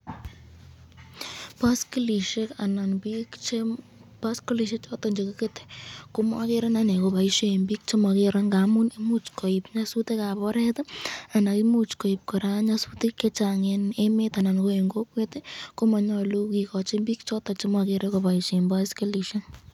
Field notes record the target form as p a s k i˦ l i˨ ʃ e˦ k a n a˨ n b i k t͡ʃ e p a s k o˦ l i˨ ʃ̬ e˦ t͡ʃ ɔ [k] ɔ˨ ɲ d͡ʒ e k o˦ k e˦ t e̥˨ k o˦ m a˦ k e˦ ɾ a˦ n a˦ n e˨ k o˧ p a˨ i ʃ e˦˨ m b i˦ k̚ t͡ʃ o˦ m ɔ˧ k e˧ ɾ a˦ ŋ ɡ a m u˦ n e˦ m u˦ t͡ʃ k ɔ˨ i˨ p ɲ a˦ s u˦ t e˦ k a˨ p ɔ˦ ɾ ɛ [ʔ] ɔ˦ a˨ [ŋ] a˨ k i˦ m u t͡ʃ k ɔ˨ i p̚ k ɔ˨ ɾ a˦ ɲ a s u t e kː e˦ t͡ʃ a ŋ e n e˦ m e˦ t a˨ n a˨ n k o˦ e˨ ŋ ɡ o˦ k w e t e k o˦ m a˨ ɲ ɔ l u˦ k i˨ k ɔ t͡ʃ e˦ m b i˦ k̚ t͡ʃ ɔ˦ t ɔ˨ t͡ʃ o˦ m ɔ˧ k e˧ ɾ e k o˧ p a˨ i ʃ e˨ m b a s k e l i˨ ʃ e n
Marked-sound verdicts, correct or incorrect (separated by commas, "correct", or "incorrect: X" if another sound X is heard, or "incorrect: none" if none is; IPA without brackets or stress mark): incorrect: t, incorrect: t, incorrect: n